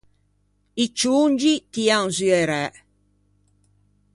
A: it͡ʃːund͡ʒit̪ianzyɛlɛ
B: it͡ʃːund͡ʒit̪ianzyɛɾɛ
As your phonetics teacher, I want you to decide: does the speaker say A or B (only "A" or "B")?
B